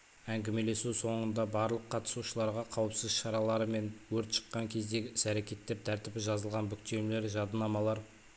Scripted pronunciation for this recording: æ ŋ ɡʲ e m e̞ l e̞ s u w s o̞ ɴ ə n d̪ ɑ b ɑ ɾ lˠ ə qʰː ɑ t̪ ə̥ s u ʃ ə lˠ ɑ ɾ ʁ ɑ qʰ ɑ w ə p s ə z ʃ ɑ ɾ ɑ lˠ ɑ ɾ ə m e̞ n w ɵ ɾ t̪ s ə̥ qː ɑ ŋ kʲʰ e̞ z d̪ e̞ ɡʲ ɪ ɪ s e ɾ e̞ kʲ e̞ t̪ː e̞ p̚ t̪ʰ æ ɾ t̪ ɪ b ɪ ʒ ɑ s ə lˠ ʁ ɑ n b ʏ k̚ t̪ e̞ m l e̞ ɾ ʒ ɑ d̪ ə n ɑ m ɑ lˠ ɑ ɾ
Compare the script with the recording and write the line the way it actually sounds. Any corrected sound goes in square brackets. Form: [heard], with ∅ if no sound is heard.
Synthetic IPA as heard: æ ŋ ɡʲ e m e̞ l e̞ s u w s o̞ ɴ ə n d̪ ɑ b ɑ ɾ lˠ ə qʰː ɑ t̪ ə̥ s u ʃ ə lˠ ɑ ɾ ʁ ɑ qʰ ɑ w ə p s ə z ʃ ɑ ɾ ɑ lˠ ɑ ɾ ə m e̞ n w ɵ ɾ t̪ [ʃ] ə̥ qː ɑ ŋ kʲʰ e̞ z d̪ e̞ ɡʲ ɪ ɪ s [æ] ɾ e̞ kʲ e̞ t̪ː e̞ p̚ t̪ʰ æ ɾ t̪ ɪ b ɪ ʒ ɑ [z] ə lˠ ʁ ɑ n b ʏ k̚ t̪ e̞ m l e̞ ɾ ʒ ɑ d̪ ə n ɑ m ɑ lˠ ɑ ɾ